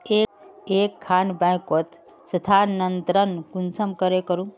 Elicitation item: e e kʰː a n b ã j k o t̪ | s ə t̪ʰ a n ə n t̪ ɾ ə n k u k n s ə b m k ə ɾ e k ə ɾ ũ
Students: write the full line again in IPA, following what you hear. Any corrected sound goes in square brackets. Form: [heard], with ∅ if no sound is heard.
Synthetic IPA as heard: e e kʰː a n b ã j k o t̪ | s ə t̪ʰ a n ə n t̪ ɾ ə n k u [∅] n s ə [∅] m k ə ɾ e k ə ɾ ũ

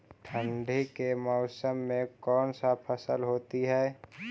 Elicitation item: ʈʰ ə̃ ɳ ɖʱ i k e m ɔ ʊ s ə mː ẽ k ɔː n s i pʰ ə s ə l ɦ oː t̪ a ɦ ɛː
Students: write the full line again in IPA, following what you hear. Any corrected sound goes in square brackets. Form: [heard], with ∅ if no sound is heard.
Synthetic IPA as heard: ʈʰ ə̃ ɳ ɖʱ i k e m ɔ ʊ s ə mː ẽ k ɔː n s [a] pʰ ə s ə l ɦ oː t̪ [i] ɦ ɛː

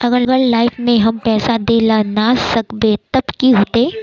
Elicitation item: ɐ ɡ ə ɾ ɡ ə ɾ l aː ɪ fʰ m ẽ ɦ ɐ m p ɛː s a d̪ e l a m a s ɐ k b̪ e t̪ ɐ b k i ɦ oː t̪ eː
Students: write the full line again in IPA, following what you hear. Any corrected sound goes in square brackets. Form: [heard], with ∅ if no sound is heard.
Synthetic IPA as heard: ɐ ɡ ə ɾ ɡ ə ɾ l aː ɪ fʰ m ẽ ɦ ɐ m p ɛː s a d̪ e l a [n] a s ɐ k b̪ e t̪ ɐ b k i ɦ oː t̪ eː

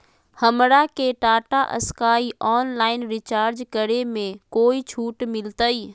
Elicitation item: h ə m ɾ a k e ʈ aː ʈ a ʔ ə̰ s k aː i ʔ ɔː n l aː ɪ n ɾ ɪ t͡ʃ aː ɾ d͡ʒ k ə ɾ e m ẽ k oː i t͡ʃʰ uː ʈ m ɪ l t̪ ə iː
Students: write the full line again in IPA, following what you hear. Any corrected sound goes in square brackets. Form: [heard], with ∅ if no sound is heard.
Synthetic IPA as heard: h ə m ɾ a k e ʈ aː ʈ a ʔ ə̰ s k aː i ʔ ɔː n l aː ɪ n ɾ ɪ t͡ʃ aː ɾ d͡ʒ k ə ɾ e m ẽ k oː i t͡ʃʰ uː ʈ m ɪ l t̪ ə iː

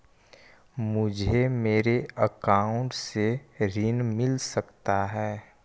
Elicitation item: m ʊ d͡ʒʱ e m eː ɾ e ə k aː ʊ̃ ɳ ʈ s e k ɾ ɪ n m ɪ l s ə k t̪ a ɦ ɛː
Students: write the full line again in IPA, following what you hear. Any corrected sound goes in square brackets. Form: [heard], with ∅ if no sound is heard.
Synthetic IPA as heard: m ʊ d͡ʒʱ e m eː ɾ e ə k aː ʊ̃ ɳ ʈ s e [∅] ɾ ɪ n m ɪ l s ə k t̪ a ɦ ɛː

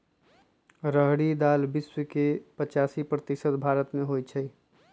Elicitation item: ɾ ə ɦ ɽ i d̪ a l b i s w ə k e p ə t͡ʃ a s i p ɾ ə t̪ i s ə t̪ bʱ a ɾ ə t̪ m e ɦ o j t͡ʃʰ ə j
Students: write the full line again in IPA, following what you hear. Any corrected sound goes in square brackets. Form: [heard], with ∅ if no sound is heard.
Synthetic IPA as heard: ɾ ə ɦ ɽ i d̪ a l b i s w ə k e p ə t͡ʃ a s i p ɾ ə t̪ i s ə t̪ bʱ a ɾ ə t̪ m e ɦ o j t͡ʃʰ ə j

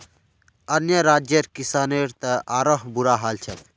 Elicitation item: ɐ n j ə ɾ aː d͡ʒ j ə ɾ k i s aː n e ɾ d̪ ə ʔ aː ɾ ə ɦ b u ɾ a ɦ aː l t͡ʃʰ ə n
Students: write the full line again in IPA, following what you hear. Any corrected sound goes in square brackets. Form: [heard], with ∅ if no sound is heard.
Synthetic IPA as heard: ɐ n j ə ɾ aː d͡ʒ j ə ɾ k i s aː n e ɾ [t̪] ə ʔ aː ɾ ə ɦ b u ɾ a ɦ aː l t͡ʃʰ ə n

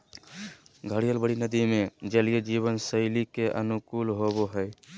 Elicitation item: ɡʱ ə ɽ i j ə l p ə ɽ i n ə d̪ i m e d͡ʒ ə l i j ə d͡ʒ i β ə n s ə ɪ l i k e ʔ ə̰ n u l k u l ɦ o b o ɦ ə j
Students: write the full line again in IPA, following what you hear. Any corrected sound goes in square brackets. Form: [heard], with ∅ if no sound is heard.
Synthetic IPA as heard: ɡʱ ə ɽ i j ə l [b] ə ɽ i n ə d̪ i m e d͡ʒ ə l i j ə d͡ʒ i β ə n s ə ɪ l i k e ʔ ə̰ n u [∅] k u l ɦ o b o ɦ ə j

